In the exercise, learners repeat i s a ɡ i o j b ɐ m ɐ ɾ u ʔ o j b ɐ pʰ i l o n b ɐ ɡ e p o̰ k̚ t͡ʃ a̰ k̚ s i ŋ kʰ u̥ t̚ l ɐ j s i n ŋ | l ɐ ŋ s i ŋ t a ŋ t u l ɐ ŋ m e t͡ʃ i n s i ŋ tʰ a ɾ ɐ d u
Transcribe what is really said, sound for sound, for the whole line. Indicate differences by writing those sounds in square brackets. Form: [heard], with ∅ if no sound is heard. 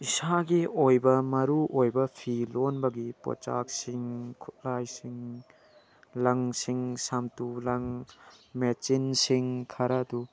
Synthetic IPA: i s a ɡ i o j b ɐ m ɐ ɾ u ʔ o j b ɐ pʰ i l o n b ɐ ɡ [i] p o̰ [∅] t͡ʃ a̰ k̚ s i ŋ kʰ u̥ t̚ l [a] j s i [∅] ŋ | l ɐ ŋ s i ŋ [s] a [m] t u l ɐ ŋ m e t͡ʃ i n s i ŋ [kʰ] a ɾ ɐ d u